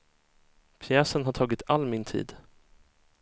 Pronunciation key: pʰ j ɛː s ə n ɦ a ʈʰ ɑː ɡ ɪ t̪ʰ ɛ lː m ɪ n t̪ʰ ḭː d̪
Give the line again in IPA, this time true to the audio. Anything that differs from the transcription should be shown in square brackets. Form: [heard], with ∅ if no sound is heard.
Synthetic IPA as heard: pʰ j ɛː s ə n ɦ a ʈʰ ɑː ɡ ɪ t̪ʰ [a] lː m ɪ n t̪ʰ ḭː d̪

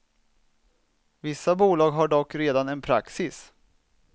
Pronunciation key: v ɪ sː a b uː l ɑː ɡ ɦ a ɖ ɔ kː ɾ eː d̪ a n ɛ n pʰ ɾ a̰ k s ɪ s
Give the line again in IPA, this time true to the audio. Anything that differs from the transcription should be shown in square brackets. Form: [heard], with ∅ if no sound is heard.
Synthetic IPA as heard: v ɪ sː a b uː l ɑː ɡ ɦ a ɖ ɔ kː ɾ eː d̪ a n ɛ n pʰ ɾ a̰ k s ɪ s

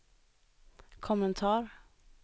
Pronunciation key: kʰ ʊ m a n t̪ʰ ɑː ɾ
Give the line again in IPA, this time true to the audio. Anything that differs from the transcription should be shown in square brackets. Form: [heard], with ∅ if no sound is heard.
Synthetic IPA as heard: kʰ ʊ m [ə] n t̪ʰ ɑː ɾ

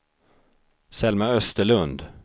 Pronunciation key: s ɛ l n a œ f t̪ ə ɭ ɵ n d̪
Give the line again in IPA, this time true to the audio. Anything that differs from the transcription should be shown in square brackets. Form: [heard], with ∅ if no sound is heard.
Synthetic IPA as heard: s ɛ l [m] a œ [s] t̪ ə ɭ ɵ n d̪

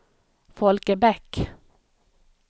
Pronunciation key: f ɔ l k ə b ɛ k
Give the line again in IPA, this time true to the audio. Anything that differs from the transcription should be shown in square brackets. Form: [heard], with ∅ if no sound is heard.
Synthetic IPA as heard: f ɔ l k ə b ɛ k

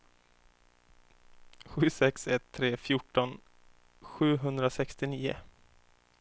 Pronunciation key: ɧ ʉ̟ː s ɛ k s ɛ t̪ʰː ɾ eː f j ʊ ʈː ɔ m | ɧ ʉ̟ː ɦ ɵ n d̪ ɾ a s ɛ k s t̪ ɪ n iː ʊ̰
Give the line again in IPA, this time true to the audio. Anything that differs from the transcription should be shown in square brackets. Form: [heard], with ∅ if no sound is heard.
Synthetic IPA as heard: ɧ ʉ̟ː s ɛ k s ɛ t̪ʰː ɾ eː f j ʊ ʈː ɔ [n] | ɧ ʉ̟ː ɦ ɵ n d̪ ɾ a s ɛ k s t̪ ɪ n iː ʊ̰

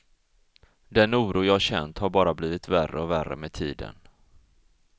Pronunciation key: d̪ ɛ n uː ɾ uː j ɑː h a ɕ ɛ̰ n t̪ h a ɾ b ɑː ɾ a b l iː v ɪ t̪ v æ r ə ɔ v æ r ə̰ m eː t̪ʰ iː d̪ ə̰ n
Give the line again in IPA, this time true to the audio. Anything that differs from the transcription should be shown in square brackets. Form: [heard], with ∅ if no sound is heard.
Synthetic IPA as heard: d̪ ɛ n uː ɾ uː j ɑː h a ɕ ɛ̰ n t̪ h a ɾ b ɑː ɾ a b l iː v ɪ t̪ v æ r ə ɔ v æ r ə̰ m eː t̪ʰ iː d̪ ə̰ n

